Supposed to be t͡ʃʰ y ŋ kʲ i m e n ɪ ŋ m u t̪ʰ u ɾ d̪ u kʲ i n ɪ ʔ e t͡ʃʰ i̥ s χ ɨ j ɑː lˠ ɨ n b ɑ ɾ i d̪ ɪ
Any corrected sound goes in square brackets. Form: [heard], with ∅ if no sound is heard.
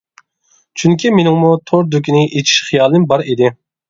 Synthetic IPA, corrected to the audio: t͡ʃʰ y ŋ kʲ i m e n ɪ ŋ m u t̪ʰ [o] ɾ d̪ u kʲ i n ɪ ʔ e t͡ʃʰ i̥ [ʃ] χ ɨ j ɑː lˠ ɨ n b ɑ ɾ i d̪ ɪ